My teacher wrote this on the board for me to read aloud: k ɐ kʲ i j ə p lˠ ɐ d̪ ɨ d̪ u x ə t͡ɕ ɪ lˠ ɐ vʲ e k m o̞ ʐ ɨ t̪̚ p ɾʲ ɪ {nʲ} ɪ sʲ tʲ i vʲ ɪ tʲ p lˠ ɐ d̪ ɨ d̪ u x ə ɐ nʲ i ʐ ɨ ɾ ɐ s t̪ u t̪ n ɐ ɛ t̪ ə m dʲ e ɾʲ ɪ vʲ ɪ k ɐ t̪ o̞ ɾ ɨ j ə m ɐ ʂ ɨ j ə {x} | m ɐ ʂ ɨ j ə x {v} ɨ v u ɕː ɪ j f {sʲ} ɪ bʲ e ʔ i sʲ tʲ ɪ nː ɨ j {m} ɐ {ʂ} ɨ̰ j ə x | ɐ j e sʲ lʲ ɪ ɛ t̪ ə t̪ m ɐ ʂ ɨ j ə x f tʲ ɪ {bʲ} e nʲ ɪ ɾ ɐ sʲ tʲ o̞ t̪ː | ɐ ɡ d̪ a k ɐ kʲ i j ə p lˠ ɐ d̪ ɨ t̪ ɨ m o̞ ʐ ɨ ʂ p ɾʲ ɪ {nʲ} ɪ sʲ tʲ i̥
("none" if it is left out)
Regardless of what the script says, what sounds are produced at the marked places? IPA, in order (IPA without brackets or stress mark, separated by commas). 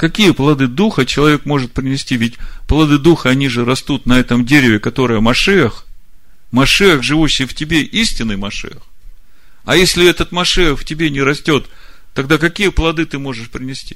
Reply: nʲ, x, ʐ, tʲ, m, ʂ, bʲ, nʲ